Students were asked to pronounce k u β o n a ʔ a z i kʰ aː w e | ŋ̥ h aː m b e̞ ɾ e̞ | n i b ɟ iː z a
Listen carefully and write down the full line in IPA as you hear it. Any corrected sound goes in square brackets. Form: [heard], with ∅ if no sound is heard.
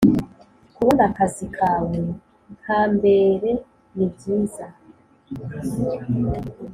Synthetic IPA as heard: k u β o n a [k] a z i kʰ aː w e | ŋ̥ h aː m b e̞ ɾ e̞ | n i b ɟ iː z a